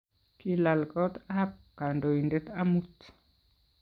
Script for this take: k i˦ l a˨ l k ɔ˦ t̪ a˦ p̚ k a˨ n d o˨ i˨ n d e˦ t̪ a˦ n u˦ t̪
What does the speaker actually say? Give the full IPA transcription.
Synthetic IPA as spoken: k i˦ l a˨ l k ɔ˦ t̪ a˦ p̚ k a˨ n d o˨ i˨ n d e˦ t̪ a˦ m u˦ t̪